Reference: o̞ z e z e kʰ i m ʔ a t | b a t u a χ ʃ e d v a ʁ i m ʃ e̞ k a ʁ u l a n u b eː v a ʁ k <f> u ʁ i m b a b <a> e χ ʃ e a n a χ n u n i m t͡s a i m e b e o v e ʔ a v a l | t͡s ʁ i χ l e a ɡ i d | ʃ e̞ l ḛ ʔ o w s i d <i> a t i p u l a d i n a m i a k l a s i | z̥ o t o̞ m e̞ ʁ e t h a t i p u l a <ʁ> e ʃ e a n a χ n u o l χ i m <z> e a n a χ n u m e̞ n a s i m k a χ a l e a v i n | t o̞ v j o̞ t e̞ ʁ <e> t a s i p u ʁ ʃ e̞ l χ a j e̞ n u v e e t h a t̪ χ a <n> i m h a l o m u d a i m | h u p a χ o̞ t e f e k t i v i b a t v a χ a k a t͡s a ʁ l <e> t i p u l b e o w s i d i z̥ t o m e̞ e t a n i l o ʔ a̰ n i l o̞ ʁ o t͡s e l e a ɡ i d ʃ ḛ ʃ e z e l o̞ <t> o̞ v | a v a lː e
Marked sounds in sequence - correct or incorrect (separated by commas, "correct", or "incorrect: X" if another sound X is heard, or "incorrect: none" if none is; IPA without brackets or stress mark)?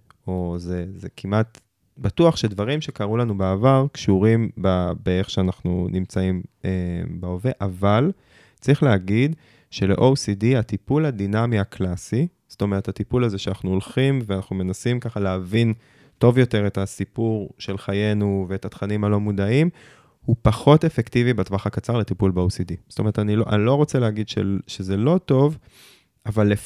incorrect: ʃ, incorrect: e, correct, incorrect: z, incorrect: v, correct, correct, correct, correct